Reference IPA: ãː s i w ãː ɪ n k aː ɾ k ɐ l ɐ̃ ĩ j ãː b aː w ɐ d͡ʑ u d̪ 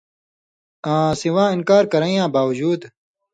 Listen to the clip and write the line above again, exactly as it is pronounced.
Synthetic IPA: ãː s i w ãː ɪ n k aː ɾ k ɐ ɾ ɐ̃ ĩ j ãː b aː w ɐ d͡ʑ uː d̪